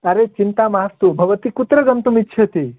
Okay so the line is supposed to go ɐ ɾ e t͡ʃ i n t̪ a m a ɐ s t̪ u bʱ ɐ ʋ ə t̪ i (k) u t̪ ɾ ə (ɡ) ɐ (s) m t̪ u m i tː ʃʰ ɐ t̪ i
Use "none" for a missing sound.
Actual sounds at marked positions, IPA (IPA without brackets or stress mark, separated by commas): k, ɡ, none